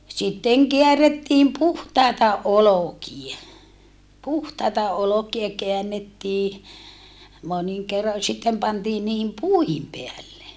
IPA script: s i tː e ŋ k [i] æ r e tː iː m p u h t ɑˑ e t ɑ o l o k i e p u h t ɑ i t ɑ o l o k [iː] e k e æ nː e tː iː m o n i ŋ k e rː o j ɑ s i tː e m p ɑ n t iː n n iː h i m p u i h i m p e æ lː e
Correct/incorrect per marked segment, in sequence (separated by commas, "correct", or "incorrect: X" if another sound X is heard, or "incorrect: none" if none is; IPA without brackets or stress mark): incorrect: e, incorrect: i